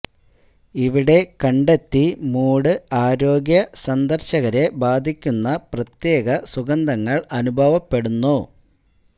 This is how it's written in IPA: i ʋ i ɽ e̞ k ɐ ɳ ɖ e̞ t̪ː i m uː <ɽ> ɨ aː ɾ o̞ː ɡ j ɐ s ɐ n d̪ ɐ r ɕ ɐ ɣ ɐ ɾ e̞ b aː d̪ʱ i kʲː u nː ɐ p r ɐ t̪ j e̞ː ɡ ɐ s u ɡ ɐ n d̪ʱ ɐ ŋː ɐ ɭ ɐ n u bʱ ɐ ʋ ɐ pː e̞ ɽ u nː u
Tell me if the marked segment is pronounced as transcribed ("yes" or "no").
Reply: yes